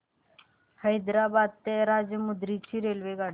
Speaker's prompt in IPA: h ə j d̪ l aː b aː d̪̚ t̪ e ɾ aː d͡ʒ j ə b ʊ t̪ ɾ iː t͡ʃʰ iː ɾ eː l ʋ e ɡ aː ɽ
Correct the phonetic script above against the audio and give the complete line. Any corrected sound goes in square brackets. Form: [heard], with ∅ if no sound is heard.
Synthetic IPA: h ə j d̪ [ɾ] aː b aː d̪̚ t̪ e ɾ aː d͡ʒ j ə [m] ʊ [d̪] ɾ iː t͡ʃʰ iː ɾ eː l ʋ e ɡ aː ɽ